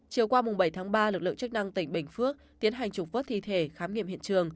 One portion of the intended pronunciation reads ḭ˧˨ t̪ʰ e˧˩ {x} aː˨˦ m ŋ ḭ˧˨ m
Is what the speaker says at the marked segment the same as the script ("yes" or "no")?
yes